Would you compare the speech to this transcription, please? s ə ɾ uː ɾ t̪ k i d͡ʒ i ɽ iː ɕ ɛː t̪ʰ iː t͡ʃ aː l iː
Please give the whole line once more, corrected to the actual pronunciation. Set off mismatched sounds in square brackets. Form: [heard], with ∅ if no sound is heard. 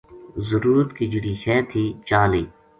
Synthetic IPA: [z] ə ɾ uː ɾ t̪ k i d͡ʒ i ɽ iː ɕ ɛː t̪ʰ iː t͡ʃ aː l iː